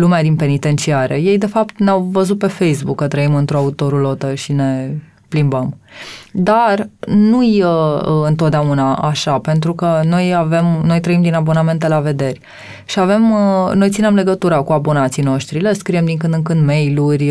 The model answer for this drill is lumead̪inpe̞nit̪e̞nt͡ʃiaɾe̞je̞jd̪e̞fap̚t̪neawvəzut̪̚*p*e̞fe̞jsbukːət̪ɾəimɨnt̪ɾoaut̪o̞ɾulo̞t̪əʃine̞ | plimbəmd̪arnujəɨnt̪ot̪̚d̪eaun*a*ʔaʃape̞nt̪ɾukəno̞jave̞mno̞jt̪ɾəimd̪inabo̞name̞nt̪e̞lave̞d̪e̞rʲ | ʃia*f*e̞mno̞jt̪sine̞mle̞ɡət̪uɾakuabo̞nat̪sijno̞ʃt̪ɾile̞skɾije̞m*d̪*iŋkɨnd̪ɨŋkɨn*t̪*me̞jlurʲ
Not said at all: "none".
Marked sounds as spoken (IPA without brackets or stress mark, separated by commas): p, a, v, d̪, d̪